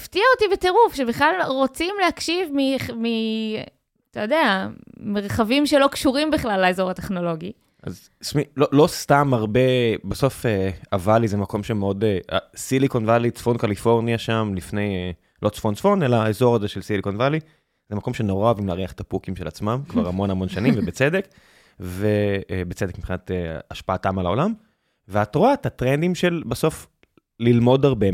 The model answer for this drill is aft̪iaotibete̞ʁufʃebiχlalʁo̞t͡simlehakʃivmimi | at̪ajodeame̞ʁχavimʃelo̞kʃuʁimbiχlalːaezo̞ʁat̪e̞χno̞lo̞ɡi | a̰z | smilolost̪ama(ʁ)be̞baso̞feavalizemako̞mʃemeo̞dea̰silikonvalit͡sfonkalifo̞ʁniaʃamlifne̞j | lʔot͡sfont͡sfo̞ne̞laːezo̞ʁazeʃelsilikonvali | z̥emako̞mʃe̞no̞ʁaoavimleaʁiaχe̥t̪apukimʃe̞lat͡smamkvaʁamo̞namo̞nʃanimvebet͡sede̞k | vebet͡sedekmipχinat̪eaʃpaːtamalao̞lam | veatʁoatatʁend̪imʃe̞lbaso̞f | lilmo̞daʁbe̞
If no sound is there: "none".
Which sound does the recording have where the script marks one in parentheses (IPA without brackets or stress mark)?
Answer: ʁ